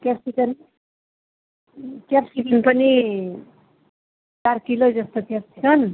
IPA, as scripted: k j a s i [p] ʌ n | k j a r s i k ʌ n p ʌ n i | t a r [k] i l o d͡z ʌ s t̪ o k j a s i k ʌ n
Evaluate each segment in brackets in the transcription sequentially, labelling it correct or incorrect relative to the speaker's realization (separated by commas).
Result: incorrect, correct